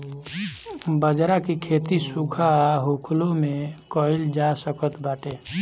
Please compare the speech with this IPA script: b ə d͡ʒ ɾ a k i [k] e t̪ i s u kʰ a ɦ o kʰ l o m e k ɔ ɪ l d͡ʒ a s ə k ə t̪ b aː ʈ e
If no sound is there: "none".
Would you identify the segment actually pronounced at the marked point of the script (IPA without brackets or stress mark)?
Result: kʰ